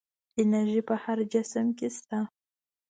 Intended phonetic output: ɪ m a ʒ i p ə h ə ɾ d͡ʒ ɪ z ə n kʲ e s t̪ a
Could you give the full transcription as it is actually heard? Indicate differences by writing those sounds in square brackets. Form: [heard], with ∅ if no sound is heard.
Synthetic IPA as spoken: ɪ [n] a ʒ i p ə h [a] ɾ d͡ʒ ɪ [s] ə [m] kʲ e s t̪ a

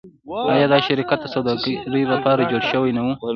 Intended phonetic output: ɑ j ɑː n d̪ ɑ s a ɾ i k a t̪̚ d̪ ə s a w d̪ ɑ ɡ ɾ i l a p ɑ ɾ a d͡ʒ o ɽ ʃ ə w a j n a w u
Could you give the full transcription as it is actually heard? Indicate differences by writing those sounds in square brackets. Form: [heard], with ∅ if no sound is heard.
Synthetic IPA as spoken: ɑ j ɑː [∅] d̪ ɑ [ʃ] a ɾ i k a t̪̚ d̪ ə s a w d̪ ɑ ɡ ɾ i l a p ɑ ɾ a d͡ʒ o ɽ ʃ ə w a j n a w u

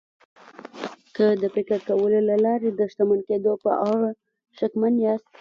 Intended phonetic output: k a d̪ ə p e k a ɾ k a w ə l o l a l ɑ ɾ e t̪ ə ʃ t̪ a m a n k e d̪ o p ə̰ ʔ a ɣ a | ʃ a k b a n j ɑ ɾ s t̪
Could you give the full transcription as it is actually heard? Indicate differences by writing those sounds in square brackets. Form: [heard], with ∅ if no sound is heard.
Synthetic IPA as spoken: k [ə] d̪ ə p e k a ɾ k a w ə l o l a l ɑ ɾ e [d̪] ə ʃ t̪ a m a n k e d̪ o p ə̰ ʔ a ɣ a | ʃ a k [m] a n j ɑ [∅] s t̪

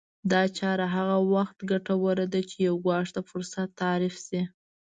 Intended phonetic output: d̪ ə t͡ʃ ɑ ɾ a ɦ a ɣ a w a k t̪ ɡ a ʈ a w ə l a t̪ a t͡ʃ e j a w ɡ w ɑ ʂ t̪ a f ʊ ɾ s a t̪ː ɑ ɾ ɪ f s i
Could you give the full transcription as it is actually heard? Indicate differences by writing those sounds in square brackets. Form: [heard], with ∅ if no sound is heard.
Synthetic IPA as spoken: d̪ [ɑ] t͡ʃ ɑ ɾ a ɦ a ɣ a w a [x] t̪ ɡ a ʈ a w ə [ɾ] a [d̪] a t͡ʃ e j a w ɡ w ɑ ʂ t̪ a f ʊ ɾ s a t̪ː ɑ ɾ ɪ f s i

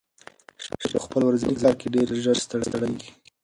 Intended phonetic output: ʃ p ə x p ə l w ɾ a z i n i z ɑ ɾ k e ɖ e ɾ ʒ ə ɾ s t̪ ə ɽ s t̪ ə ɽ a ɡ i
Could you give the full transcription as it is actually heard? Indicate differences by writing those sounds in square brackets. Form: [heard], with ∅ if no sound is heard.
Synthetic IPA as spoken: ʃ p ə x p ə l w ɾ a z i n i z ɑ ɾ k e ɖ e ɾ ʒ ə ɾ s t̪ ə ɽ s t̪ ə ɽ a ɡ i

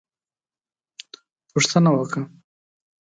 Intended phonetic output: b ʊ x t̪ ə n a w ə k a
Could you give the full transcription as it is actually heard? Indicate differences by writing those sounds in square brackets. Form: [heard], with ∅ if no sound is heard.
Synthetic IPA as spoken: [p] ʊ [ʂ] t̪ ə n a w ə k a

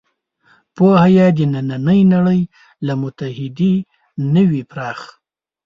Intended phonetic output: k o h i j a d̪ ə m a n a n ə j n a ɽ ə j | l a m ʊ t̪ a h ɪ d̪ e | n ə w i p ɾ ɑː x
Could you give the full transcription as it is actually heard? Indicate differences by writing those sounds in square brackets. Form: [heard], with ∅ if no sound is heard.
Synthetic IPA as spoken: [p] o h [a] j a d̪ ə [n] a n a n ə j n a ɽ ə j | l a m ʊ t̪ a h ɪ d̪ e | n ə w i p ɾ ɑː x

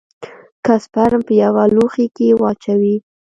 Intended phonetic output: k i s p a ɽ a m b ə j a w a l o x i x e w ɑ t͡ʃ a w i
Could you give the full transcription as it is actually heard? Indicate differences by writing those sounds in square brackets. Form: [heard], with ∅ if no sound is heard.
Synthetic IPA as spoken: k [a] s p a [ɾ] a m [p] ə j a w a l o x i [k] e w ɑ t͡ʃ a w i

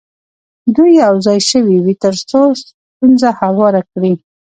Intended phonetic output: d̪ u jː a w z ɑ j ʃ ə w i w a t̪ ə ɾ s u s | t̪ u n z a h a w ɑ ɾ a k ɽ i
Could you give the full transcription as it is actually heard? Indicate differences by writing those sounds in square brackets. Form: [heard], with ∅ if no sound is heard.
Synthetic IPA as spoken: d̪ u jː a w z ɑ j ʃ ə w i w [i] t̪ ə ɾ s [o] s | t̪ u n z a h a w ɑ ɾ a k ɽ i

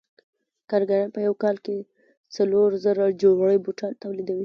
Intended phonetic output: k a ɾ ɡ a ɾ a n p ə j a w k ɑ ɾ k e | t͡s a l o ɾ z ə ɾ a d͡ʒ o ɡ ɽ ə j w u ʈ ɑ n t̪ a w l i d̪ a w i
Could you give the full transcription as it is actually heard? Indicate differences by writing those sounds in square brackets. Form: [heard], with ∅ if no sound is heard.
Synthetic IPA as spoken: k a ɾ ɡ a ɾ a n p ə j a w k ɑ [l] k e | t͡s a l o ɾ z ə ɾ a d͡ʒ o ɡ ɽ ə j [b] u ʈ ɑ n t̪ a w l i d̪ a w i

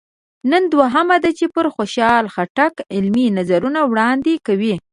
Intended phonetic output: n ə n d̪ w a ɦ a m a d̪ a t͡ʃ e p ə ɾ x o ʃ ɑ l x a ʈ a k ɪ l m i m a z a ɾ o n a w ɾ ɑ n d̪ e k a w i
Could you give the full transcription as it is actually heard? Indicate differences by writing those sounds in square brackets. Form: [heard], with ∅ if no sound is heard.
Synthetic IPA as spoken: n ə n d̪ w a ɦ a m a d̪ a t͡ʃ e p ə ɾ x o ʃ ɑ l x a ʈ a k ɪ l m i [n] a z a ɾ [u] n a w [ɽ] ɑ n d̪ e k a w i

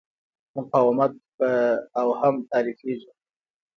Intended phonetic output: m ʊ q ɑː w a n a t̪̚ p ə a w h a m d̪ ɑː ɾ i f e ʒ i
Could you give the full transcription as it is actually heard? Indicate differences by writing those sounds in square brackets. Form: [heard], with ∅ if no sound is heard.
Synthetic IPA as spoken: m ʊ q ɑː w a [m] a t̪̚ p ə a w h a m [t̪] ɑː ɾ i f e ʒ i

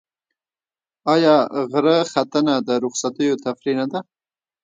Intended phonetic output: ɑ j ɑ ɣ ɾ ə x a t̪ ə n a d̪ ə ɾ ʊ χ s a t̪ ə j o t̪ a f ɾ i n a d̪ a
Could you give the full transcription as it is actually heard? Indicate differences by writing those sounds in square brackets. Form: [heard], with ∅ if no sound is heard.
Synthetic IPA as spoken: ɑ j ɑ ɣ ɾ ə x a t̪ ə n a d̪ ə ɾ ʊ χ s a t̪ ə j o t̪ a f ɾ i n a d̪ a

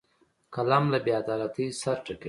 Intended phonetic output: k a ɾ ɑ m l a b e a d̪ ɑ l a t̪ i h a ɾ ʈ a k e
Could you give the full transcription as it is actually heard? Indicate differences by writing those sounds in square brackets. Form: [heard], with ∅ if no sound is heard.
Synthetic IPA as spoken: k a [l] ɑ m l a b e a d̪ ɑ l a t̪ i [s] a ɾ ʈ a k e

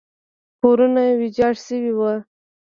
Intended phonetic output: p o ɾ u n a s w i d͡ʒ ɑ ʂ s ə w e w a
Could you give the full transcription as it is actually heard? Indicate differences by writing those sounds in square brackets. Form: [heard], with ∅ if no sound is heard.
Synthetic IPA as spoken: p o ɾ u n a [∅] w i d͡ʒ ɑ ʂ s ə w [i] w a

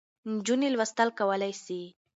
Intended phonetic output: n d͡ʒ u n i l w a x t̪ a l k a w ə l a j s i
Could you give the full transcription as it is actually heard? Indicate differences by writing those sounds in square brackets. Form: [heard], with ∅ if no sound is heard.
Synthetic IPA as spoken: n d͡ʒ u n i l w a [s] t̪ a l k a w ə l a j s i

